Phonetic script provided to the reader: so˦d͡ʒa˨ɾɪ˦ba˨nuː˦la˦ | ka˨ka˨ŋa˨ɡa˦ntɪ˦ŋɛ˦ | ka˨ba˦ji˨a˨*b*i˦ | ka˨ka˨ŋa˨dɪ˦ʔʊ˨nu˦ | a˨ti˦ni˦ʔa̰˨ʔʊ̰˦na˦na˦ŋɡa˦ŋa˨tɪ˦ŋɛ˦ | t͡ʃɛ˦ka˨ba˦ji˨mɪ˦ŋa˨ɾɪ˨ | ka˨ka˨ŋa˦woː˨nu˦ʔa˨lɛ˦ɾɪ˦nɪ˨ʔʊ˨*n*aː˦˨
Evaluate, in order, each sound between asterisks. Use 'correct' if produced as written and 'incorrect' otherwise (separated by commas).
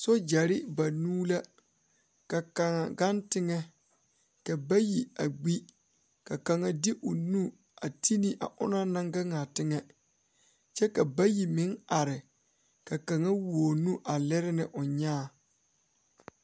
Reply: incorrect, incorrect